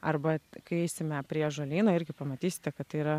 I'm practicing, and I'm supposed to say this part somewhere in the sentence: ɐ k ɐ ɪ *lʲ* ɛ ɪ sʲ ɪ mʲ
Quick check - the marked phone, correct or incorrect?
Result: incorrect